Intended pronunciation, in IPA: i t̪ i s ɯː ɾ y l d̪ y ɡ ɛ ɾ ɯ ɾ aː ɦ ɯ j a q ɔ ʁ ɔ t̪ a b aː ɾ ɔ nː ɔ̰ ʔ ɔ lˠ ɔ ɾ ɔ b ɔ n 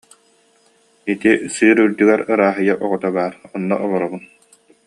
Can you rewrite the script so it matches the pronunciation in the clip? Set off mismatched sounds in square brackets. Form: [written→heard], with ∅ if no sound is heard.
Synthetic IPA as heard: i t̪ i s ɯː ɾ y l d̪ y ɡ ɛ ɾ ɯ ɾ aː ɦ ɯ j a [q→ʔ] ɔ ʁ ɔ t̪ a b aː ɾ ɔ nː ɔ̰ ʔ ɔ lˠ ɔ ɾ ɔ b [ɔ→u] n